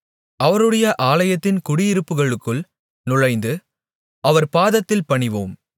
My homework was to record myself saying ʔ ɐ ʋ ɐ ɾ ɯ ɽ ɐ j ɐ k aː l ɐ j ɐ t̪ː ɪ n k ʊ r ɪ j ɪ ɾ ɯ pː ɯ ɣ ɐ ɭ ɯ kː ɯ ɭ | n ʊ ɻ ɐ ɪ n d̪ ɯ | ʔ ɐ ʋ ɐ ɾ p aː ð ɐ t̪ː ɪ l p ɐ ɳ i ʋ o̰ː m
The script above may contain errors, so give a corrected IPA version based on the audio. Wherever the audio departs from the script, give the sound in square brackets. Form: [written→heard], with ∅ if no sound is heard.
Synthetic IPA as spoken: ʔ ɐ ʋ ɐ ɾ ɯ ɽ ɐ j ɐ [k→ʔ] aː l ɐ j ɐ t̪ː ɪ n k ʊ [r→ɽ] ɪ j ɪ ɾ ɯ pː ɯ ɣ ɐ ɭ ɯ kː ɯ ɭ | n ʊ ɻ ɐ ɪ n d̪ ɯ | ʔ ɐ ʋ ɐ ɾ p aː ð ɐ t̪ː ɪ l p ɐ ɳ [i→ɪ] ʋ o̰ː m